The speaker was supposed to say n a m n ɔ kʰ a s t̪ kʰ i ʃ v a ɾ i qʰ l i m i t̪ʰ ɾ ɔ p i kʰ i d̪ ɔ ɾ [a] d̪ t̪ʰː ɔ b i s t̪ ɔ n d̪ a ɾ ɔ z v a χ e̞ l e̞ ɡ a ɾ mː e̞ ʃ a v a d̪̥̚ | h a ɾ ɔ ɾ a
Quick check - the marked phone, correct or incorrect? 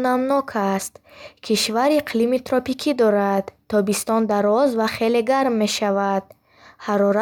correct